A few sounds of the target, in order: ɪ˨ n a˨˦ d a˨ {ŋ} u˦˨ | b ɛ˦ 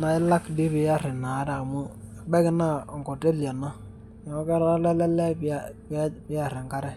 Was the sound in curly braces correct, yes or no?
no